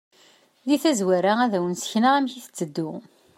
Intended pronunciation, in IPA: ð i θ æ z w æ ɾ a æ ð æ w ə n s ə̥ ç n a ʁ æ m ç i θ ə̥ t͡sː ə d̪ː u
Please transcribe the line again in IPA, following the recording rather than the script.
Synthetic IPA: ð i θ æ z w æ ɾ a æ ð æ w ə n s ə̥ ç n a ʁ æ m ç i θ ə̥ t͡sː ə d̪ː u